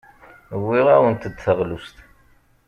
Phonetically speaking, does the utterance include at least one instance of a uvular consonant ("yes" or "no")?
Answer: yes